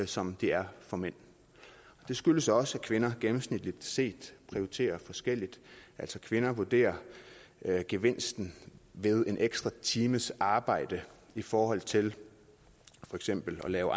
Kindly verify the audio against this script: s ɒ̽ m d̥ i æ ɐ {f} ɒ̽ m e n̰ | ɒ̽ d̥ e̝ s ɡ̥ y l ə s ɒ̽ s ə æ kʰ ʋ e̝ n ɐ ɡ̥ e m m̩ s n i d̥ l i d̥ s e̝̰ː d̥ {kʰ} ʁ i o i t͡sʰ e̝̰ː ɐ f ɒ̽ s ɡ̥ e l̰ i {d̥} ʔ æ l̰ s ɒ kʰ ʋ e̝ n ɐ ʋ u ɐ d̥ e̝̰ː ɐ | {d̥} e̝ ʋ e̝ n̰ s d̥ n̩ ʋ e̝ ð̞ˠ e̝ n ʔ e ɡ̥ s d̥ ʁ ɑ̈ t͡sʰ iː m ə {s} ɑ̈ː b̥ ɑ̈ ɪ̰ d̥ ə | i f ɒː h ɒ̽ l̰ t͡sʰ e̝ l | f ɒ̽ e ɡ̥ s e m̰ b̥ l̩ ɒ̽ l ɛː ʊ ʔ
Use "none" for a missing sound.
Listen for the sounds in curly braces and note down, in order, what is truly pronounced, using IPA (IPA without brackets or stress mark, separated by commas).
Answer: f, pʰ, d̥, ɡ̥, s